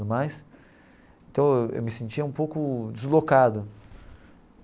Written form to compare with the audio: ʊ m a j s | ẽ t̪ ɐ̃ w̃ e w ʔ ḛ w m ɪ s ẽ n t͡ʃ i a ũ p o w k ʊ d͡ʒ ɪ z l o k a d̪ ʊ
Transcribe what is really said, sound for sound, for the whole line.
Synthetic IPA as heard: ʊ m a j s | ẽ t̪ ɐ̃ w̃ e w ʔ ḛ w m ɪ s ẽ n t͡ʃ i ɐ ũ p o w k ʊ d͡ʒ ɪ z l o k a d̪ ʊ